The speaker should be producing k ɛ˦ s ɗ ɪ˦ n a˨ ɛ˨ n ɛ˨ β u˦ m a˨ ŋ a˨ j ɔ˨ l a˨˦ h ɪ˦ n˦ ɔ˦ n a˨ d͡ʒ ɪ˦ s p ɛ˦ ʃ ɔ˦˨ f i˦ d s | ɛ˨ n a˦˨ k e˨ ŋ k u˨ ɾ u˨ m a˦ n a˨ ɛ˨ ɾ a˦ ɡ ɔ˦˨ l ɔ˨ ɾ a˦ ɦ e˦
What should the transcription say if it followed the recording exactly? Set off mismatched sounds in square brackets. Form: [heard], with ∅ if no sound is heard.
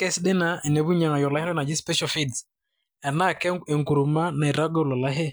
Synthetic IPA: k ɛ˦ s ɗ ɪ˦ n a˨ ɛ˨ n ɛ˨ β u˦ [ɲ] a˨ ŋ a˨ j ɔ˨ l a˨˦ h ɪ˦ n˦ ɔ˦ n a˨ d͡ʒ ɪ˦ s p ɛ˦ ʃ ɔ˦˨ f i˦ d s | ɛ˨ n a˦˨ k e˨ ŋ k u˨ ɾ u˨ m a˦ n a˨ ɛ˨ ɾ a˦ ɡ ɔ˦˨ l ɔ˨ [l] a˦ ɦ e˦